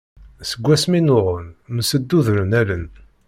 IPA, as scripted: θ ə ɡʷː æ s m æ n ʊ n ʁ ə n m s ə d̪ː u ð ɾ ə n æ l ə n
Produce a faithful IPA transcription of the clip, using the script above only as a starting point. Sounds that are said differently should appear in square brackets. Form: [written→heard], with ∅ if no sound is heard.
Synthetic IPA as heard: [θ→s] ə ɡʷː æ s m [æ→i] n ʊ [n→∅] ʁ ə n m s ə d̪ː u ð ɾ ə n æ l ə n